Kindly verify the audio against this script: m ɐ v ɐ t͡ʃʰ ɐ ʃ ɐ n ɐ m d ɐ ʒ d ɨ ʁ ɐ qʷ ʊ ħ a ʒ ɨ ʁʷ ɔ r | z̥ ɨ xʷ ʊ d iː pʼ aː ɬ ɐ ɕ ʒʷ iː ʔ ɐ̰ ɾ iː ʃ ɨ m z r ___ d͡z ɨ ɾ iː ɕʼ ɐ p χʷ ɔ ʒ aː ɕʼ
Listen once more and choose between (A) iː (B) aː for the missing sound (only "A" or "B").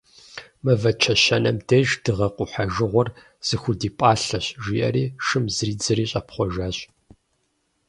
A